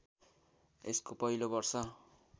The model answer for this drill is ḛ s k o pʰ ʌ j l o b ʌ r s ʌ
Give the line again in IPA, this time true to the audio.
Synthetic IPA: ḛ s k o p ʌ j l o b ʌ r s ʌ